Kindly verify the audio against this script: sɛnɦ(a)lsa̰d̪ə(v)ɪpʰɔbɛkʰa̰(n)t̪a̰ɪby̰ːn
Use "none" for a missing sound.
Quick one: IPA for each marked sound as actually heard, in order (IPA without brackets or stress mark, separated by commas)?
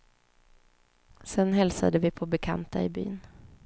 ɛ, v, n